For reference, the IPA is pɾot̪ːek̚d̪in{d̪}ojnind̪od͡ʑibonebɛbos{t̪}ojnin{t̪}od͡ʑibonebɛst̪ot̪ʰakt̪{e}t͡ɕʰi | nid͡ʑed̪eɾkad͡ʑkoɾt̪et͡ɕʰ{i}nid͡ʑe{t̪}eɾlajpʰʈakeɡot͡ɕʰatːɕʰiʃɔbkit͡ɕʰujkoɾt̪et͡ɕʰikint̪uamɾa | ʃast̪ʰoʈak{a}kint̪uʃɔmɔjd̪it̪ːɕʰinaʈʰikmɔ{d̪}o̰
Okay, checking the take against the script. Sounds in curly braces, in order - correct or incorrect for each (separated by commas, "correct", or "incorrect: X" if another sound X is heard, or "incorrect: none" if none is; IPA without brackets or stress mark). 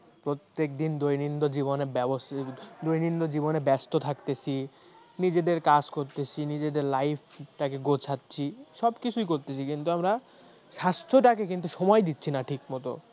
correct, incorrect: d̪, incorrect: d̪, correct, correct, incorrect: d̪, incorrect: e, incorrect: t̪